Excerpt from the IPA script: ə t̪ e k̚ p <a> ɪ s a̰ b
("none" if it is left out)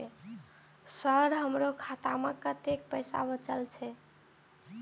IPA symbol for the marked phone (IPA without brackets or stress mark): ə